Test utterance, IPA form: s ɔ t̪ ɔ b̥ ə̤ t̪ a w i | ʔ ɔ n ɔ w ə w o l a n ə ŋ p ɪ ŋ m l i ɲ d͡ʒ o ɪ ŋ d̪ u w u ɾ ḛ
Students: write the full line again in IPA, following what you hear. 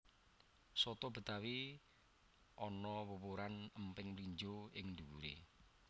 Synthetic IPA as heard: s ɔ t̪ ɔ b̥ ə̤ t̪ a w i | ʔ ɔ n ɔ w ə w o ɾ a n ə m p ɪ ŋ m l i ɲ d͡ʒ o ɪ ŋ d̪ u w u ɾ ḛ